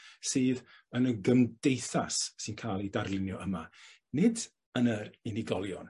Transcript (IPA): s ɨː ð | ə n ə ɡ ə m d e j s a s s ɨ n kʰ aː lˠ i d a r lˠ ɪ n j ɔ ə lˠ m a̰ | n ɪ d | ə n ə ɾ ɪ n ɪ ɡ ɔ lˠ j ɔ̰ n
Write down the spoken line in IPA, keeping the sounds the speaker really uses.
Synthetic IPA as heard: s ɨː ð | ə n ə ɡ ə m d e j θ a s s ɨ n kʰ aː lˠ i d a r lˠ ɪ n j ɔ ə m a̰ | n ɪ d | ə n ə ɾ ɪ n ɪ ɡ ɔ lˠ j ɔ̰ n